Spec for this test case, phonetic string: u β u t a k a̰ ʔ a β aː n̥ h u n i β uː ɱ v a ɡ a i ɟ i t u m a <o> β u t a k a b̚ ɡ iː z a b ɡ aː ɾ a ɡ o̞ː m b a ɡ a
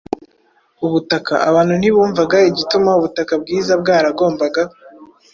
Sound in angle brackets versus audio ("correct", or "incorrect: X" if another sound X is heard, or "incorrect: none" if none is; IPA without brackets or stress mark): incorrect: u